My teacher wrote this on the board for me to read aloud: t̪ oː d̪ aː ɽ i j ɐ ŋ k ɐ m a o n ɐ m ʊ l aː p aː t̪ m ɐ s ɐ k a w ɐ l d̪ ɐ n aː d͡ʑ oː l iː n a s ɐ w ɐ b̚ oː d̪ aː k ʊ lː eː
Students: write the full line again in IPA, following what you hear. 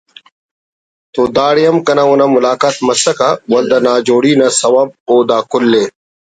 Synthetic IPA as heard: t̪ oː d̪ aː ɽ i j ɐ m k ɐ n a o n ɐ m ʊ l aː k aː t̪ m ɐ s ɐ k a w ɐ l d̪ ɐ n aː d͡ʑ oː ɽ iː n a s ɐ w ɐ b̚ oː d̪ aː k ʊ lː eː